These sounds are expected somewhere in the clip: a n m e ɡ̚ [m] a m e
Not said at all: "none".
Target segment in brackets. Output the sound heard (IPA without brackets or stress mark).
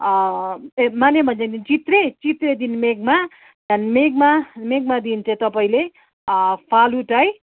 m